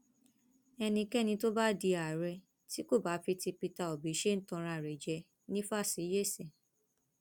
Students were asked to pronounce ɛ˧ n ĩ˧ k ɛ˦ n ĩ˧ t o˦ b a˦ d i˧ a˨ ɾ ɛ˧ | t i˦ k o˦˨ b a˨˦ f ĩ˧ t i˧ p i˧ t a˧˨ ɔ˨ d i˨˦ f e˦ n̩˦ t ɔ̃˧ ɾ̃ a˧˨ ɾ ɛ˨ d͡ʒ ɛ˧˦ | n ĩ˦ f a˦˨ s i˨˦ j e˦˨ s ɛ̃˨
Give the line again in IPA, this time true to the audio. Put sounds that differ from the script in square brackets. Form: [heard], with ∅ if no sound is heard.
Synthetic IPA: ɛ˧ n ĩ˧ k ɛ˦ n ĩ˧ t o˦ b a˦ d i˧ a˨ ɾ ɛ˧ | t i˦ k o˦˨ b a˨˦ f [i˧] t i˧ p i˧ t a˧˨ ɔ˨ [b] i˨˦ [ʃ] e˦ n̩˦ t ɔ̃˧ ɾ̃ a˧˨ ɾ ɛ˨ d͡ʒ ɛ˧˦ | n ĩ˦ f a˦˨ s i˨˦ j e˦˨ s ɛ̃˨